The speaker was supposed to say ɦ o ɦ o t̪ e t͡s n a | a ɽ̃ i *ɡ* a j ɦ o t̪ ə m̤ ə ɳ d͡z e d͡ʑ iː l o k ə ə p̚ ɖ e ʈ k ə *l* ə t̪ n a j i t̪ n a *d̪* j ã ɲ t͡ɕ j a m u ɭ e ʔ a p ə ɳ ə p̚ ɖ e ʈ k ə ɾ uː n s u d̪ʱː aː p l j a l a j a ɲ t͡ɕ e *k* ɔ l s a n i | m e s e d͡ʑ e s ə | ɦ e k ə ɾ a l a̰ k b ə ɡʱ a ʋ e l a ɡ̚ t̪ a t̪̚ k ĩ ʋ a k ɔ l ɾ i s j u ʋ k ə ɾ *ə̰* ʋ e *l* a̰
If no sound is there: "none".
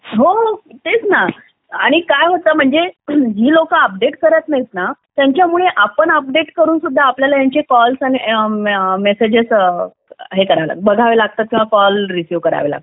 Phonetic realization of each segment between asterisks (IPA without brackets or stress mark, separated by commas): k, ɾ, t̪, k, a̰, l